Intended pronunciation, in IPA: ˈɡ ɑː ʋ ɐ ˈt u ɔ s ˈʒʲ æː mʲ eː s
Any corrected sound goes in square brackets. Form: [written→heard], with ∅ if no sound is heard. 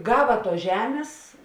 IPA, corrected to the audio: ˈɡ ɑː ʋ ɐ ˈt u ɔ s ˈʒʲ æː mʲ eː s